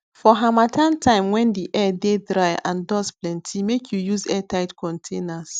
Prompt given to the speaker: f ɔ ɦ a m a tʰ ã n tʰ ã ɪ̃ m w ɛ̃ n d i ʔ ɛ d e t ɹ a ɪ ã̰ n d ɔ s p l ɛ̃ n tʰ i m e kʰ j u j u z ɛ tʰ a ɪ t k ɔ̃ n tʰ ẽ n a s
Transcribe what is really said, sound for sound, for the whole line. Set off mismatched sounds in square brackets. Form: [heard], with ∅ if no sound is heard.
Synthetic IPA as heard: f ɔ ɦ a m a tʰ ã n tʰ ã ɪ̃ m w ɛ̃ n d i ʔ ɛ d e [d] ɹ a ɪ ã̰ n d ɔ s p l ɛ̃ n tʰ i m e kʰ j u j u z ɛ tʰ a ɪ t k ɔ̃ n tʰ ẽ n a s